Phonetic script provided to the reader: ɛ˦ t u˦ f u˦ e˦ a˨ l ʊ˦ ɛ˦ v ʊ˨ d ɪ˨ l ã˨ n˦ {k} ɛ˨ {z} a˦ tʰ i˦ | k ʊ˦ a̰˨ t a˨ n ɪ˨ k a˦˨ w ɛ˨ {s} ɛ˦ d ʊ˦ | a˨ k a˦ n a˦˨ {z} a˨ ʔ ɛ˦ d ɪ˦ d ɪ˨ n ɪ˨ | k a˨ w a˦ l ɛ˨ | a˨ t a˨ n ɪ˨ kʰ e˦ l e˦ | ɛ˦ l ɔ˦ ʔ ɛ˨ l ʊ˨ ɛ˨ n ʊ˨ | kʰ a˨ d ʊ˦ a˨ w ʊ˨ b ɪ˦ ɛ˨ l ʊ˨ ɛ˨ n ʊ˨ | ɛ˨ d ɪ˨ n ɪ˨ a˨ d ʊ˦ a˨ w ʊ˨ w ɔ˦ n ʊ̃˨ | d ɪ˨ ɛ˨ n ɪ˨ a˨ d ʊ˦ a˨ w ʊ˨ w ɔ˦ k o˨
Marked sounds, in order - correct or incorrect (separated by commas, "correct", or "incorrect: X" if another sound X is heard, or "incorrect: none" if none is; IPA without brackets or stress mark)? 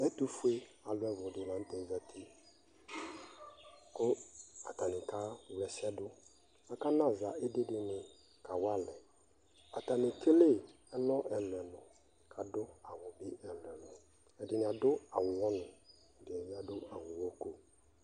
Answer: incorrect: t, correct, correct, correct